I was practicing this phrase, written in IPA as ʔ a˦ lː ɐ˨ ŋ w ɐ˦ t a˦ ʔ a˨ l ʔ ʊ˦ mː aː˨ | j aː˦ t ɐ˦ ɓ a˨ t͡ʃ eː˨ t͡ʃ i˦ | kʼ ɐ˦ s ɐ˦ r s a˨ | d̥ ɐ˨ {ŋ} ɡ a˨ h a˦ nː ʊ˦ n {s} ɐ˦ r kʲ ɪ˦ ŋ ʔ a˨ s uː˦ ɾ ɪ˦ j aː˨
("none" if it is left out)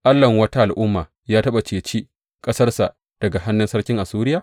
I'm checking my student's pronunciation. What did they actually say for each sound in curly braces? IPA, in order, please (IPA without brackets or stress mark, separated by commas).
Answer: none, s